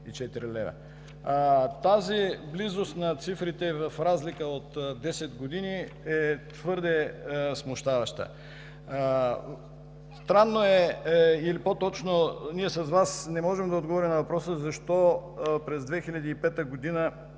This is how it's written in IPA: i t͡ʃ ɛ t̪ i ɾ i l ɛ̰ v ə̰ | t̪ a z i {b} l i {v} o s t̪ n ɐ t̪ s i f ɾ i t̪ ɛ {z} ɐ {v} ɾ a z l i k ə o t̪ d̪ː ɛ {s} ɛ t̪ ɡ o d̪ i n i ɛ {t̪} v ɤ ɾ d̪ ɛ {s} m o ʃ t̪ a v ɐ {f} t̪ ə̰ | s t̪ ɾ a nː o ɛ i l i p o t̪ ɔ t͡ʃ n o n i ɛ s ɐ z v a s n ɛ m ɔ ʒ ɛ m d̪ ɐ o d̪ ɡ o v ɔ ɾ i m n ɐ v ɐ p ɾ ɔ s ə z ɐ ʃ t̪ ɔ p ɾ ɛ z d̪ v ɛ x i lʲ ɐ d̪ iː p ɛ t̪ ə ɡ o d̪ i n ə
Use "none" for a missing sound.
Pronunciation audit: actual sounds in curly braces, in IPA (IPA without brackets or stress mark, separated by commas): b, z, v, f, s, t̪, s, ʃ